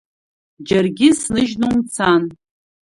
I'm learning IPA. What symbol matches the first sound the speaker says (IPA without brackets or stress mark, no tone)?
d͡ʒ